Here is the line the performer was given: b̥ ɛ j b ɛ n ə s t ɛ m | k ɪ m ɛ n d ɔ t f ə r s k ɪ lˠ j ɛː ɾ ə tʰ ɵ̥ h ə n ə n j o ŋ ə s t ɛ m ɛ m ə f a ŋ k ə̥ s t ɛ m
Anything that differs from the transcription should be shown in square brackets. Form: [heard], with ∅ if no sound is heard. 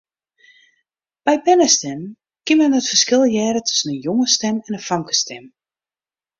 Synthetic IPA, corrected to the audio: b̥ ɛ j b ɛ n ə s t ɛ m | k ɪ m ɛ n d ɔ t f ə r s k ɪ lˠ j ɛː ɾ ə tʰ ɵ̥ [s] ə n ə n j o ŋ ə s t ɛ m ɛ [n] ə f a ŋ k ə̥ s t ɛ m